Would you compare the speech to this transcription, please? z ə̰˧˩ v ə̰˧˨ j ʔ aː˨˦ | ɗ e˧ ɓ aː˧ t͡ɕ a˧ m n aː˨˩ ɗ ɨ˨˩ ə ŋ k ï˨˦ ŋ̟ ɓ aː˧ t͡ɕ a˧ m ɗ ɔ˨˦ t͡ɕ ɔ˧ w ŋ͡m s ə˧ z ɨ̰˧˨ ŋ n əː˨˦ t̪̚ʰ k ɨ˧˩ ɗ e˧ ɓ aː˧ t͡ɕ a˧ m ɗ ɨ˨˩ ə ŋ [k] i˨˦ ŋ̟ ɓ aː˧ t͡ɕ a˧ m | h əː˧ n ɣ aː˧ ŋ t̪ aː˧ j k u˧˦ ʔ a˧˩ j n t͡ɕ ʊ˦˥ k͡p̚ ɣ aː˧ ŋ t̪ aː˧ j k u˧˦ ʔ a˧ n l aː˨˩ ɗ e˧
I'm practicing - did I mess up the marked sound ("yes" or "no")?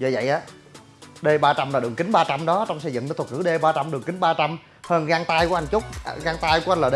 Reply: no